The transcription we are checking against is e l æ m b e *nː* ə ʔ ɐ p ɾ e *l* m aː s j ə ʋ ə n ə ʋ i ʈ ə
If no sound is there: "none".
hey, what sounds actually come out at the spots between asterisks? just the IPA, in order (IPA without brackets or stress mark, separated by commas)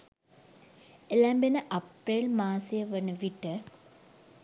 n, l